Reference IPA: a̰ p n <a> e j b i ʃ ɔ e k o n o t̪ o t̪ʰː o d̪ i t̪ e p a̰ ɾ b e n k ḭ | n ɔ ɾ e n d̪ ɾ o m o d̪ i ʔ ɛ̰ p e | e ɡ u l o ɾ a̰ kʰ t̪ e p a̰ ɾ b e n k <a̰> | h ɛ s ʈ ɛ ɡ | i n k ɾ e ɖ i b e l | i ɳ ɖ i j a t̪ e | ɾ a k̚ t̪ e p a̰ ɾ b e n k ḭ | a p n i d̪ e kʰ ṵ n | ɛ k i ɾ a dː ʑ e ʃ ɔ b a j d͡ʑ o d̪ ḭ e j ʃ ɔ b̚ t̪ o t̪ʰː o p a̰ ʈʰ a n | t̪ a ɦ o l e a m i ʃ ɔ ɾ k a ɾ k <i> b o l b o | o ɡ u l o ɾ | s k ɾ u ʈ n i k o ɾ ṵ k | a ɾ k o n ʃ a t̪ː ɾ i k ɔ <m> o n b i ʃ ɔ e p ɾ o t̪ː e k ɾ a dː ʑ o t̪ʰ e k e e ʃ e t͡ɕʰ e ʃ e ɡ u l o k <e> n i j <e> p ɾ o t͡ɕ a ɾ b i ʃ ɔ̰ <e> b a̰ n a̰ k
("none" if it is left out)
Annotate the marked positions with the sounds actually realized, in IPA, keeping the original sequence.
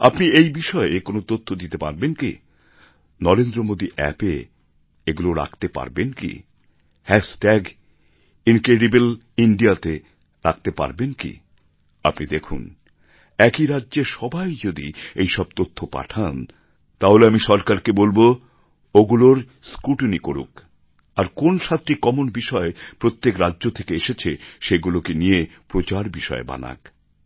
i, ḭ, e, m, e, e, e

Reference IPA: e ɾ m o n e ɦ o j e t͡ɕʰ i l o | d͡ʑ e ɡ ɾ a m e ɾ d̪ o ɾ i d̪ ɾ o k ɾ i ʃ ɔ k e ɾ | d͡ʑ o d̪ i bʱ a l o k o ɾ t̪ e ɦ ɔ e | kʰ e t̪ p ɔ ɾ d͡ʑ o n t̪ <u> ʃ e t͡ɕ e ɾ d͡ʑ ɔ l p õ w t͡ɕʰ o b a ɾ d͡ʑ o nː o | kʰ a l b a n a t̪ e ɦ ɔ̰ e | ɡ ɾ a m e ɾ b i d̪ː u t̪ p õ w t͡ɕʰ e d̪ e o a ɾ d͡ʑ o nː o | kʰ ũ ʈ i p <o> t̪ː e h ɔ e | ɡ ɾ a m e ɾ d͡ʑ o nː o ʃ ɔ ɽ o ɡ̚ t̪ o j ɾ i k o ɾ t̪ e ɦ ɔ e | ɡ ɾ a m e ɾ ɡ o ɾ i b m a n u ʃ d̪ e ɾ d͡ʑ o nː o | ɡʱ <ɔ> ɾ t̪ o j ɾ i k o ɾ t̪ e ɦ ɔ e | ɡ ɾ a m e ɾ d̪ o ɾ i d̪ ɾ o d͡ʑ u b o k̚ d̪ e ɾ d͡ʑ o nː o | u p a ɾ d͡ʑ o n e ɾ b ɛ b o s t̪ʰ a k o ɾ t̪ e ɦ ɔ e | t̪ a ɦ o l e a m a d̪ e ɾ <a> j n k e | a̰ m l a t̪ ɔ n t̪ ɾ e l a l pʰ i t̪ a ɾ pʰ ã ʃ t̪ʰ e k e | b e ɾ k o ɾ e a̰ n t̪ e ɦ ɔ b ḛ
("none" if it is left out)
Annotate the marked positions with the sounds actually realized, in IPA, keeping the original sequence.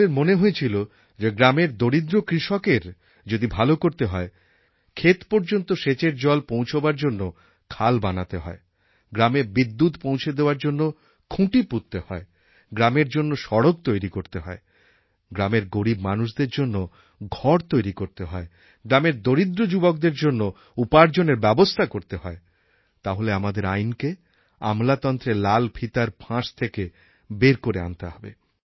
o, u, ɔ, a

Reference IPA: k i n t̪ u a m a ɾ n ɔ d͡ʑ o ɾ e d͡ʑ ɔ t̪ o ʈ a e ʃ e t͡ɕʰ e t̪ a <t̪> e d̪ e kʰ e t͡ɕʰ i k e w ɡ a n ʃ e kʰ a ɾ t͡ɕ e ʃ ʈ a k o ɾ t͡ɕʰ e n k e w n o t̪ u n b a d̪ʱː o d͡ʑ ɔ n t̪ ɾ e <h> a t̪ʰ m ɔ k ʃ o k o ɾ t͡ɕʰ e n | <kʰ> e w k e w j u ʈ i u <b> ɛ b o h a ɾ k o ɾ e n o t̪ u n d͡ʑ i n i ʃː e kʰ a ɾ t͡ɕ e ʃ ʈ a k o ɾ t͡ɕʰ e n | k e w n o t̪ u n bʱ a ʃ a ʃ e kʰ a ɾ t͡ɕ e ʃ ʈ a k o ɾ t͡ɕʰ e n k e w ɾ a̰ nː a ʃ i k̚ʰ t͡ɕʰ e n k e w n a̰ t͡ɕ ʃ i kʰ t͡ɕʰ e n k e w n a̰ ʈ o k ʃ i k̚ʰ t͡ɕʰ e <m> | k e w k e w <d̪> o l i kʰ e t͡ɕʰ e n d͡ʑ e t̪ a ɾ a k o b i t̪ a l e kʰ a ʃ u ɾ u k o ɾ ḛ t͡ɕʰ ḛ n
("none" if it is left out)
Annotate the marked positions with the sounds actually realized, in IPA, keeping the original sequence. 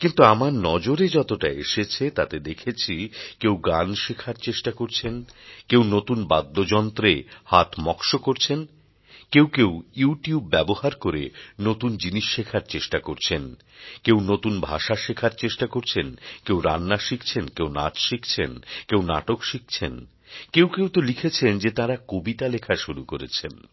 t̪, h, k, bː, n, t̪

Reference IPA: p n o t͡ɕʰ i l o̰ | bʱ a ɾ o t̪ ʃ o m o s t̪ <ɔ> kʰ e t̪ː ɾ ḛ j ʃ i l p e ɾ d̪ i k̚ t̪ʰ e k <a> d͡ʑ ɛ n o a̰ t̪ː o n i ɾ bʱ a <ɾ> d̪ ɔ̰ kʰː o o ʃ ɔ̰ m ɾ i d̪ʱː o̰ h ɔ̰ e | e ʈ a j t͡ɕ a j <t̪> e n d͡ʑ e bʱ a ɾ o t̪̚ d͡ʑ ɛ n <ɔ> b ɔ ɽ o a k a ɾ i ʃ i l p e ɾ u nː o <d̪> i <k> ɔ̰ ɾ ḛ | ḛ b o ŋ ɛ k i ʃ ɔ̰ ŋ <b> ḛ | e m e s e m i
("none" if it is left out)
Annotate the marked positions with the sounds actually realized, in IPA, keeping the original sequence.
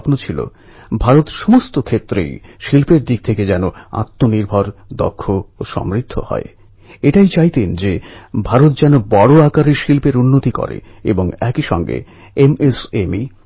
o, e, ɾ, t̪, o, t̪, k, ɡ

